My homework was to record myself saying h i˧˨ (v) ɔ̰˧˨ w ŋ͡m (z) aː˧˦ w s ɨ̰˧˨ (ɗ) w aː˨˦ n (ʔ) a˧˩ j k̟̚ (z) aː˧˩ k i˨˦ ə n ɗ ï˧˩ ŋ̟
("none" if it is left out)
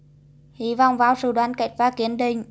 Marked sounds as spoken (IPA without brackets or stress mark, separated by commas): v, v, ɗ, k, v